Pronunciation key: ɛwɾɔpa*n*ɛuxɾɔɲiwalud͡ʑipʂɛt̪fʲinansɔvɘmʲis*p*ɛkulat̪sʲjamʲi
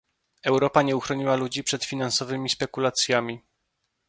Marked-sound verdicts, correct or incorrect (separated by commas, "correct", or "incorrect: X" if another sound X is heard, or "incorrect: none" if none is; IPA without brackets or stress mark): incorrect: ɲ, correct